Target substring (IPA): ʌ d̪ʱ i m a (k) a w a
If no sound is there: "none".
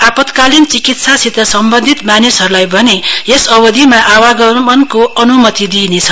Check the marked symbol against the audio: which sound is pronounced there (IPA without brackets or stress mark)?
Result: ʔ